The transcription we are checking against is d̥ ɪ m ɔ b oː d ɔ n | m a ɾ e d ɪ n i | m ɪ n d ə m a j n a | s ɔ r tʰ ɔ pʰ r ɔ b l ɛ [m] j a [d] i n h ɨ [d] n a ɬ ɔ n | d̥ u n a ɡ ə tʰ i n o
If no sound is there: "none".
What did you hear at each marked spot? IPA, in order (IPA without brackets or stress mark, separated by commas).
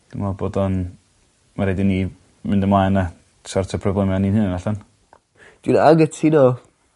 m, n, n